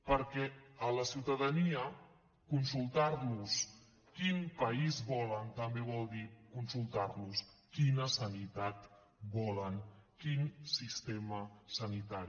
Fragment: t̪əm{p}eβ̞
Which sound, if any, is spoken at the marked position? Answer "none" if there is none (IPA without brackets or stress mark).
b